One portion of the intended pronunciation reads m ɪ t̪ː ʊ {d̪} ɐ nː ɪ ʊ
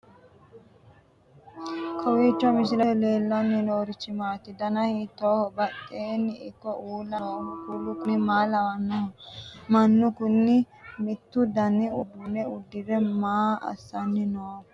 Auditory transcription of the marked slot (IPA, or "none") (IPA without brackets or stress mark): d̪